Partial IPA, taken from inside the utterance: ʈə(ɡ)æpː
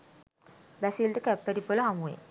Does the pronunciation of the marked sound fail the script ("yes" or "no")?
yes